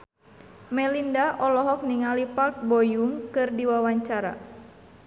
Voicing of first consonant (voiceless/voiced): voiced